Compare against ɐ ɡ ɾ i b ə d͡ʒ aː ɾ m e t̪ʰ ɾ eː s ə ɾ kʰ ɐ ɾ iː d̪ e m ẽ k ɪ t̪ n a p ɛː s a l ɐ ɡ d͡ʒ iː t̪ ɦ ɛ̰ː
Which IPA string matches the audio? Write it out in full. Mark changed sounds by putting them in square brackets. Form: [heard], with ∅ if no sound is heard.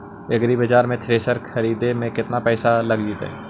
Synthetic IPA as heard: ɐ ɡ ɾ i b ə d͡ʒ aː ɾ m [ẽ] t̪ʰ ɾ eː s ə ɾ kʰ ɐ ɾ iː d̪ e m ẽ k ɪ t̪ n a p ɛː s a l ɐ ɡ d͡ʒ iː t̪ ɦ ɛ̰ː